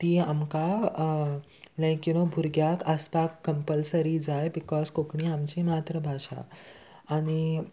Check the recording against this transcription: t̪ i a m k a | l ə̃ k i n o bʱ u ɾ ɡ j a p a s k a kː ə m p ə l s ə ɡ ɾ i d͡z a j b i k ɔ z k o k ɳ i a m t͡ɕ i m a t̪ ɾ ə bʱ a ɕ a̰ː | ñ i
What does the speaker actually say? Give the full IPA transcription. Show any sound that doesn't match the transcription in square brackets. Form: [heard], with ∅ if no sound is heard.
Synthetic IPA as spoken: t̪ i a m k a | l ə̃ k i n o bʱ u ɾ ɡ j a [k] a s [p] a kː ə m p ə l s ə [∅] ɾ i d͡z a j b i k ɔ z k o k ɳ i a m t͡ɕ i m a t̪ ɾ ə bʱ a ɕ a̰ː | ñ i